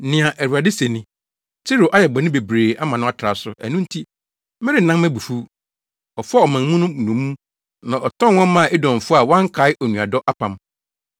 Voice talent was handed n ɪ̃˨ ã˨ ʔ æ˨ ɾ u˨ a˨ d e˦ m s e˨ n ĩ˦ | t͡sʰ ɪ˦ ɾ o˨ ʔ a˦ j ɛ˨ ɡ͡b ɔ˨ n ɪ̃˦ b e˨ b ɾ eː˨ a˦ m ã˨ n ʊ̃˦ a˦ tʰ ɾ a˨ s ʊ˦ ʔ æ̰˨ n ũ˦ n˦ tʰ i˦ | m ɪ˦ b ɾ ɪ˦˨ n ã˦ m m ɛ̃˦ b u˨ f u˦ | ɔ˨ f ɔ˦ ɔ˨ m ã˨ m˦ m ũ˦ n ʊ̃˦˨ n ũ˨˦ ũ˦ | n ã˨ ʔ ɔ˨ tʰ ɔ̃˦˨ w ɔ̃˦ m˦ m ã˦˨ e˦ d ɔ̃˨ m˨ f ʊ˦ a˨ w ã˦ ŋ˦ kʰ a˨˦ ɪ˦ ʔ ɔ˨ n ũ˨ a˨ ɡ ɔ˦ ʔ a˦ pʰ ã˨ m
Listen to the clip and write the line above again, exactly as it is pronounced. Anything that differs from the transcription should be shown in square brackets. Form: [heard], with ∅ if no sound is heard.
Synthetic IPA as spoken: n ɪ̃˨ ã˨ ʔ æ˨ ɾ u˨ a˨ d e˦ [∅] s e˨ n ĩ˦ | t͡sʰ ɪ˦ ɾ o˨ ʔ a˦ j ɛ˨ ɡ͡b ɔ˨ n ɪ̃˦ b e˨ b ɾ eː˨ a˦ m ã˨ n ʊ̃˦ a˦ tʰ ɾ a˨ s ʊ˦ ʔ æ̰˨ n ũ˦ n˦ tʰ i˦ | m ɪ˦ [∅] ɾ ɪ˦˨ n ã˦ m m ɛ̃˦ b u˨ f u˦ | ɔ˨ f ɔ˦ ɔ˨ m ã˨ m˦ m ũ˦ n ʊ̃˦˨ n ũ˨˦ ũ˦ | n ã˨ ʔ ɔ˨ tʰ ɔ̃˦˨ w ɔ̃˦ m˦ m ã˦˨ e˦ d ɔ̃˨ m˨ f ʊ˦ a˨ w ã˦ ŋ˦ kʰ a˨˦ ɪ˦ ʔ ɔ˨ n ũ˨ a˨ [d] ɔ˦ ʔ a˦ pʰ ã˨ m